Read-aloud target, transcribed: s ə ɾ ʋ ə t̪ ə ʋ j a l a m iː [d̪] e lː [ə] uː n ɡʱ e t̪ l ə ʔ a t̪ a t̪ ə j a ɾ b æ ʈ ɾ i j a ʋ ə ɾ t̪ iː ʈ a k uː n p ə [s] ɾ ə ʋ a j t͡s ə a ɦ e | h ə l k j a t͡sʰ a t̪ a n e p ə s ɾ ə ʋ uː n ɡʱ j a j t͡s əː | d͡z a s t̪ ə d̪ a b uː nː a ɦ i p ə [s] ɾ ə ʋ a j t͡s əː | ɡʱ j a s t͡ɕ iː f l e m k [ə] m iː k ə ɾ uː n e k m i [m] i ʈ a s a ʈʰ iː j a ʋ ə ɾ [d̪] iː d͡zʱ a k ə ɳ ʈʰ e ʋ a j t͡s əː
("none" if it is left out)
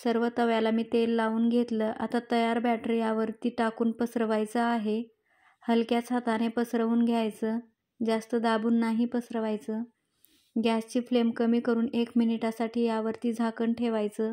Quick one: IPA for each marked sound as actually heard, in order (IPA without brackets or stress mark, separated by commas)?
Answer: t̪, a, s, s, ə, n, t̪